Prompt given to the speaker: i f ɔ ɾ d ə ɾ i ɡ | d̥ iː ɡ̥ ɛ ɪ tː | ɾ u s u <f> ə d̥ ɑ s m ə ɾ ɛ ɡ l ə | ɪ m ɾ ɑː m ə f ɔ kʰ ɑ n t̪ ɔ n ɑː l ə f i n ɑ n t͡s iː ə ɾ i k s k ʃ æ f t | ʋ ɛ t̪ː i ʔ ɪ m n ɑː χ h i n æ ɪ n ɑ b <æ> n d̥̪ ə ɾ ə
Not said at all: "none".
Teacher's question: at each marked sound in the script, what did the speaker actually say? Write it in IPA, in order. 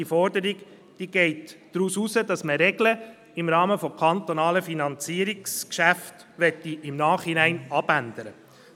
s, æ

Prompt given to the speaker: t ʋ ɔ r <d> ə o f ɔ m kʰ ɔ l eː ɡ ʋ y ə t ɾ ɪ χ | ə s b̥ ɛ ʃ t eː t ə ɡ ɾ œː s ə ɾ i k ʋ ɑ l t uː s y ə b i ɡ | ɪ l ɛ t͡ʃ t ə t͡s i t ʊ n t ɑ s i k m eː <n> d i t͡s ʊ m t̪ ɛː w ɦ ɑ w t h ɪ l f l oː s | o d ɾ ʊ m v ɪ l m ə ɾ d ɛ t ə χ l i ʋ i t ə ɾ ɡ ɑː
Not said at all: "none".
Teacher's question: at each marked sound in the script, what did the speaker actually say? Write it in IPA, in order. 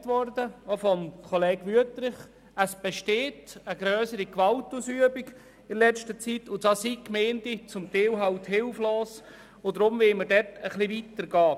d, n

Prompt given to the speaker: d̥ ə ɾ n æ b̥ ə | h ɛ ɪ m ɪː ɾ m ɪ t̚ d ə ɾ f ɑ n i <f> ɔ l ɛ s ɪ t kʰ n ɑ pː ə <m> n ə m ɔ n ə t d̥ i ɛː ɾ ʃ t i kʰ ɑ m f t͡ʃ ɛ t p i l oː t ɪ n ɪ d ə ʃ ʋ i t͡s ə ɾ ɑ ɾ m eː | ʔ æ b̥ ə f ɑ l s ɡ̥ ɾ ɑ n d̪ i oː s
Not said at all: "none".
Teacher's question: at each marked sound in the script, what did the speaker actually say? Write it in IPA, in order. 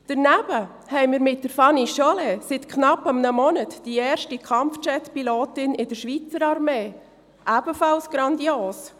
ʃ, m

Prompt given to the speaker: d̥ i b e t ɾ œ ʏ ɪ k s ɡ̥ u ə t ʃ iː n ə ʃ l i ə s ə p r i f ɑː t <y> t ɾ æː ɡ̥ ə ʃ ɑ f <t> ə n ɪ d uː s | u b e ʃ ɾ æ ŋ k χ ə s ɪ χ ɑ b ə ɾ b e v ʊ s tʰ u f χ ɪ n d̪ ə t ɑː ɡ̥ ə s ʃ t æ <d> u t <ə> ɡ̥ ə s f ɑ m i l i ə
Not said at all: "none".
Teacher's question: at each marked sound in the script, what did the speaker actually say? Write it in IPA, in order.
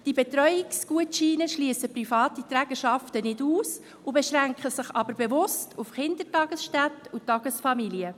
i, t, t, ɑ

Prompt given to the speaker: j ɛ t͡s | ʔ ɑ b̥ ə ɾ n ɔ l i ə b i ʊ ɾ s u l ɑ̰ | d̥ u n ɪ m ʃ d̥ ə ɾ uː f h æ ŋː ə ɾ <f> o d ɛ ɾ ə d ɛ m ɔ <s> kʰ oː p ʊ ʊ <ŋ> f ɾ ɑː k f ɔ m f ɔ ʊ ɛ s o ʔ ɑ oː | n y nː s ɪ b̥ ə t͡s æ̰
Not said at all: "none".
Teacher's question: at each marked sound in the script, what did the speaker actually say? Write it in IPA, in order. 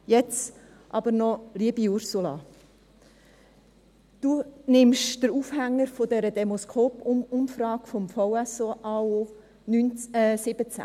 f, s, m

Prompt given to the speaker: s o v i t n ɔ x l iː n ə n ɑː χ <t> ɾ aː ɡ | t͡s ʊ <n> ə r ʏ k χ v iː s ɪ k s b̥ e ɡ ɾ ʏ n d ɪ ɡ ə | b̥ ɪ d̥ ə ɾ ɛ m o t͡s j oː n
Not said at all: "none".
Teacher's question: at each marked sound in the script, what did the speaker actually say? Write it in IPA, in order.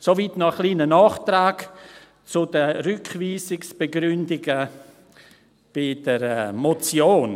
t, d

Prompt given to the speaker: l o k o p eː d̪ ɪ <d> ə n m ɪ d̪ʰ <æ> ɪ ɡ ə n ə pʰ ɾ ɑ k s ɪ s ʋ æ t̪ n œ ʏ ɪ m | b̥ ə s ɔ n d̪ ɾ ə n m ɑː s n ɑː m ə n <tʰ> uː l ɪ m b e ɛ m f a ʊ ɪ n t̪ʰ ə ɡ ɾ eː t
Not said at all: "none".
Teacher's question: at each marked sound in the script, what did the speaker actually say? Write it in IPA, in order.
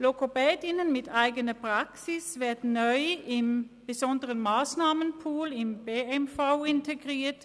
n, æ, pʰ

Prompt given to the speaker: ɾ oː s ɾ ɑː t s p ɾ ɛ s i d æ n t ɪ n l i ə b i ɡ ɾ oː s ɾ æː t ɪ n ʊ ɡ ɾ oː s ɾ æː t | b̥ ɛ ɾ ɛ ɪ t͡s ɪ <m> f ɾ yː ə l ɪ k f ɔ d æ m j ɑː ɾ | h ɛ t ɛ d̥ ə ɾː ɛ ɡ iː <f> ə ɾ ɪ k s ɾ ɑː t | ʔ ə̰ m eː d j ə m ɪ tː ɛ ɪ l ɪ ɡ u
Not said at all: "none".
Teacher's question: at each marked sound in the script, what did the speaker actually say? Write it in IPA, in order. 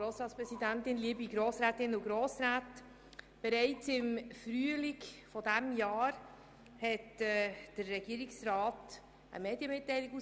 m, none

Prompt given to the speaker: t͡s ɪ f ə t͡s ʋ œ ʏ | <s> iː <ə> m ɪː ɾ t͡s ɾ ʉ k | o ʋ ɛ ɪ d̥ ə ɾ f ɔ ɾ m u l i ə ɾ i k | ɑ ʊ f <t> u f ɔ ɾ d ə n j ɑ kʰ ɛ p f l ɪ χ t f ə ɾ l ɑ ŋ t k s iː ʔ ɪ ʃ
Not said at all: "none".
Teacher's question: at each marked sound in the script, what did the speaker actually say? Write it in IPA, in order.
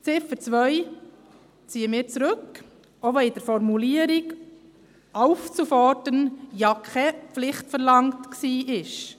t͡s, ə, t͡s

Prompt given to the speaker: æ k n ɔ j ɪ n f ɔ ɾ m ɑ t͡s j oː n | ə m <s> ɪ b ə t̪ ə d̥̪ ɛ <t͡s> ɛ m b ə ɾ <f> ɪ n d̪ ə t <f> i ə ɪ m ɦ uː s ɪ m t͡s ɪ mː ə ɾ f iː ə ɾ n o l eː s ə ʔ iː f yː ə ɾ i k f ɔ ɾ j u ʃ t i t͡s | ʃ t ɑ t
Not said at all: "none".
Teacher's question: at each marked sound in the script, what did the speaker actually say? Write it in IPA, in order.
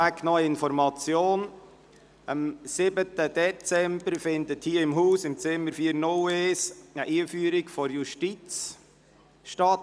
s, t͡s, f, h

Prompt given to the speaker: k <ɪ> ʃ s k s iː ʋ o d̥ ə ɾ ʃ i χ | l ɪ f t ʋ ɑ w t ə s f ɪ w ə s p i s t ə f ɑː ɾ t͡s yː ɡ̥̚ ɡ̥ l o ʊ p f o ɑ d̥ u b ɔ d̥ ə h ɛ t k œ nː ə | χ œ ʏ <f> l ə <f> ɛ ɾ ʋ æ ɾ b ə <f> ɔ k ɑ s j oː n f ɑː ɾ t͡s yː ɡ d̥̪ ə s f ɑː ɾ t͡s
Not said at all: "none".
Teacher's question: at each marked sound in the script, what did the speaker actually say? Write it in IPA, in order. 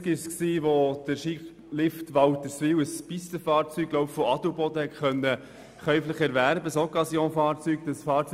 ɪ, f, χ, s

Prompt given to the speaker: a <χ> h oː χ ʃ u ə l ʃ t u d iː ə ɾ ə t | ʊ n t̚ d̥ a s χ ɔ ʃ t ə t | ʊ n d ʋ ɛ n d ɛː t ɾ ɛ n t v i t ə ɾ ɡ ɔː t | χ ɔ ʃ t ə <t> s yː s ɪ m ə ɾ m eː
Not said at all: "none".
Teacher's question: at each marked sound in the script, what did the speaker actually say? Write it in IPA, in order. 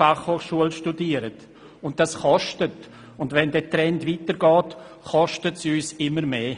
χ, t

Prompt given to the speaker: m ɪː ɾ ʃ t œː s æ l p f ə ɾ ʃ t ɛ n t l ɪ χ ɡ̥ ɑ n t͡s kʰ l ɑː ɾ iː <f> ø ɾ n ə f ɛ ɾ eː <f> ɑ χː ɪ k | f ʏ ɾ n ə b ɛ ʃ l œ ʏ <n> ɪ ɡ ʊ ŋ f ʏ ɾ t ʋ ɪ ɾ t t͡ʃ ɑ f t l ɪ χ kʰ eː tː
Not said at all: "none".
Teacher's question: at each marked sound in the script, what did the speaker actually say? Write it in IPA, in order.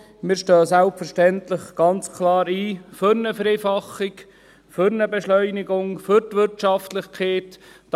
f, f, n

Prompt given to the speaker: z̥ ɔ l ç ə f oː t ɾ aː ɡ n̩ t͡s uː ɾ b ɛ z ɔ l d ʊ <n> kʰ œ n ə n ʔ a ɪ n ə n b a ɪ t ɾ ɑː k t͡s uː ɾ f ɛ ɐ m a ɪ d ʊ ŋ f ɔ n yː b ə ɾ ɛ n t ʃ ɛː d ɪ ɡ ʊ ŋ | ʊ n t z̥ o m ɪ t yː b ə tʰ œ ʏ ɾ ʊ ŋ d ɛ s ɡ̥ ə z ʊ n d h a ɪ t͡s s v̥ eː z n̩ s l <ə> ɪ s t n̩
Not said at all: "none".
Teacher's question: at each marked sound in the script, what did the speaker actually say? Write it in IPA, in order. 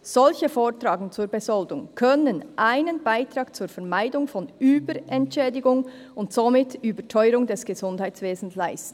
ŋ, a

